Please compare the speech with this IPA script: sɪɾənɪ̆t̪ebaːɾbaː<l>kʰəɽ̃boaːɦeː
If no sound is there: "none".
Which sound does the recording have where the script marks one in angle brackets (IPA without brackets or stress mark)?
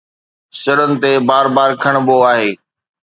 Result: ɾ